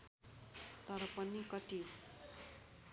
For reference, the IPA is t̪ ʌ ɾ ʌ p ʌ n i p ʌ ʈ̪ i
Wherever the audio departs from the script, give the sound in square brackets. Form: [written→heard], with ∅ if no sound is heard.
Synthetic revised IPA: t̪ ʌ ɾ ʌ p ʌ n i [p→k] ʌ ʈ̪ i